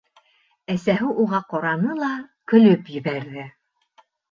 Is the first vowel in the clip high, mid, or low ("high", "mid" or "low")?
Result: low